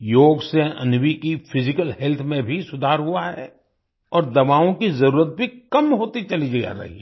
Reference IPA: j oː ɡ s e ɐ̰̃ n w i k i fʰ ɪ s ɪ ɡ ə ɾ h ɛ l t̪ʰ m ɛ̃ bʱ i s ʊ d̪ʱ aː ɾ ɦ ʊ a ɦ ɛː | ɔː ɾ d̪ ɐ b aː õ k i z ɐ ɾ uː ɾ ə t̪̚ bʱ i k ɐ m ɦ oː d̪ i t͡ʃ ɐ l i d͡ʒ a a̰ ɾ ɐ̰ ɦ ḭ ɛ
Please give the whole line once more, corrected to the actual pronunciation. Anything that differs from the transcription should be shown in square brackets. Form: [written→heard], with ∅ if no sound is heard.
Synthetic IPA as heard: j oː ɡ s e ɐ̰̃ n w i k i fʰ ɪ [s→z] ɪ [ɡ→k] ə [ɾ→l] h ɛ l t̪ʰ m [ɛ̃→ẽ] bʱ i s ʊ d̪ʱ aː ɾ ɦ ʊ a ɦ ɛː | ɔː ɾ d̪ ɐ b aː õ k i z ɐ ɾ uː ɾ ə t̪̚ bʱ i k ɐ m ɦ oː [d̪→t̪] i t͡ʃ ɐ l i d͡ʒ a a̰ ɾ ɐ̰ ɦ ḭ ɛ